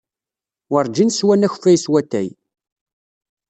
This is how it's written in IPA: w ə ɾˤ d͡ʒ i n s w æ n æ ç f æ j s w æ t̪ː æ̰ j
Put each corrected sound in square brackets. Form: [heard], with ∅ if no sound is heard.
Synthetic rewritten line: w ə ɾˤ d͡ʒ i n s w æ n æ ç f æ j s w æ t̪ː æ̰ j